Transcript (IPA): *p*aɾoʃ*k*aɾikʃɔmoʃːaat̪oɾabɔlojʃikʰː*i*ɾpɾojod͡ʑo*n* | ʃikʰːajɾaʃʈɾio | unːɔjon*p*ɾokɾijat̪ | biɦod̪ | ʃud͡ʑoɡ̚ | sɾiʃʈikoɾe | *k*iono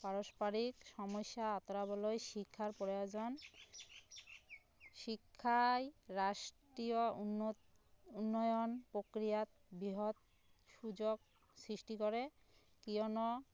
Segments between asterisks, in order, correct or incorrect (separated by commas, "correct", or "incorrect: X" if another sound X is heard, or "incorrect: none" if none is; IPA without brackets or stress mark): correct, incorrect: p, incorrect: a, correct, correct, correct